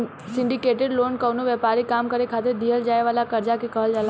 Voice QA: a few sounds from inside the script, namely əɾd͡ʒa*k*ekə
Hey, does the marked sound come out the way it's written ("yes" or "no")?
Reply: yes